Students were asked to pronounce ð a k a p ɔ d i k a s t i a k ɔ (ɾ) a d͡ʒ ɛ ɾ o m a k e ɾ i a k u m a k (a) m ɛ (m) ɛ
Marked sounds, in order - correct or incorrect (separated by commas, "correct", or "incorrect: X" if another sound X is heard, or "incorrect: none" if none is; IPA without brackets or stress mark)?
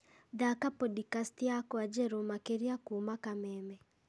incorrect: none, correct, correct